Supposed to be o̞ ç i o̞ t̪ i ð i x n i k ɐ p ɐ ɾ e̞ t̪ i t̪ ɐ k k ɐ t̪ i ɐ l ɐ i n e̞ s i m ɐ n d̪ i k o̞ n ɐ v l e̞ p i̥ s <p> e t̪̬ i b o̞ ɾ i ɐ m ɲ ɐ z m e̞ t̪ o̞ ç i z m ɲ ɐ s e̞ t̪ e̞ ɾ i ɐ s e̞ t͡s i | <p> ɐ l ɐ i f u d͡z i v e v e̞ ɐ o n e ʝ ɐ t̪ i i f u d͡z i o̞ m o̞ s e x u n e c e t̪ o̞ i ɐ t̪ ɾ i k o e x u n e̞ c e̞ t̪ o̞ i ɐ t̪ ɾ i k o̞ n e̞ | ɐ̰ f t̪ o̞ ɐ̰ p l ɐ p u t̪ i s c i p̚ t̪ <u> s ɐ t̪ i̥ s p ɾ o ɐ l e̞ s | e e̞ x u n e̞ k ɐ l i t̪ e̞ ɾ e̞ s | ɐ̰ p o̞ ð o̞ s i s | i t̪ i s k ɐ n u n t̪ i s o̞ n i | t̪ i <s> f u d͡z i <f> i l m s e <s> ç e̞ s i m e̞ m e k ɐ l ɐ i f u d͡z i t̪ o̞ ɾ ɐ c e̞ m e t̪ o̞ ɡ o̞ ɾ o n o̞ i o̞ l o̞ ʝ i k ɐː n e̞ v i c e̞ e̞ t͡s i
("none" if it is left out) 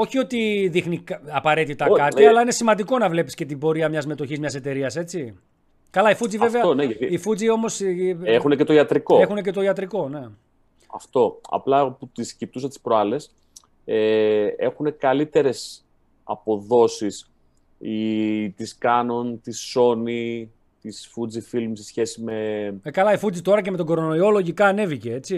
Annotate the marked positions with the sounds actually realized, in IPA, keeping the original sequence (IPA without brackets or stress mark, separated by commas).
c, k, u, s, f, s